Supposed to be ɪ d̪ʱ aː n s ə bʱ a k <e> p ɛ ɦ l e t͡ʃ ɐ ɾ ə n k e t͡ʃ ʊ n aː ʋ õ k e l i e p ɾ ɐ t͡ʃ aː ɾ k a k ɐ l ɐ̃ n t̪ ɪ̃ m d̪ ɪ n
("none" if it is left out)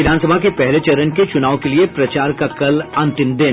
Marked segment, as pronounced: e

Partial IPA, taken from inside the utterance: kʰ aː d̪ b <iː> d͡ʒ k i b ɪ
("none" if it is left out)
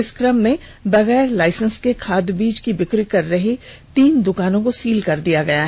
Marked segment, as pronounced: iː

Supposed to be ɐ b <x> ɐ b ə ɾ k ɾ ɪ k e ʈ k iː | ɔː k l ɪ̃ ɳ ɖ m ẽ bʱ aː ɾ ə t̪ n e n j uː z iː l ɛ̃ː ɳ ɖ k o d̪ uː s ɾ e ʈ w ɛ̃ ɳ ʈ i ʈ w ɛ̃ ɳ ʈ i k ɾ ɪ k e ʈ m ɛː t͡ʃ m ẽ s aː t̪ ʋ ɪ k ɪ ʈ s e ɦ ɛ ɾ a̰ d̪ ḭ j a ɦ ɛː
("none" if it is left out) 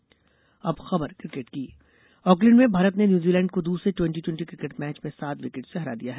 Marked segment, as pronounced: x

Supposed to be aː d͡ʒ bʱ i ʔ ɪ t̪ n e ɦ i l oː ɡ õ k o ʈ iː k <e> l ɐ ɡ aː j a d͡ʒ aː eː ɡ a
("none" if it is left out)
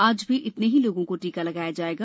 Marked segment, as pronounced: a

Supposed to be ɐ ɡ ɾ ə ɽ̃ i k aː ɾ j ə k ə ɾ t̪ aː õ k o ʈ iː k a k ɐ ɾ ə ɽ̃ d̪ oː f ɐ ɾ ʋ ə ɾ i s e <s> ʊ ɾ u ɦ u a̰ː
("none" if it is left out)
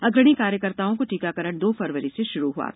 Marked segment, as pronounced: ʃ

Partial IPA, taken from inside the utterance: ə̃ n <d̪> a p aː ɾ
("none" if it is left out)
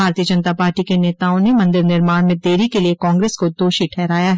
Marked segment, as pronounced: t̪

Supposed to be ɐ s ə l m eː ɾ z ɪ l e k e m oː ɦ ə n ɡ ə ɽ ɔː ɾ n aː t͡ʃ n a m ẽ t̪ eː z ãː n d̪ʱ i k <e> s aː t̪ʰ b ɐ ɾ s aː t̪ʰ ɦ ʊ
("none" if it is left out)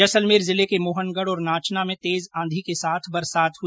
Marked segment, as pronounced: e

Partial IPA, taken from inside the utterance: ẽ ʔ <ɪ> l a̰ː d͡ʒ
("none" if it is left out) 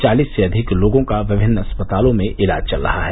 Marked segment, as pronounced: ɪ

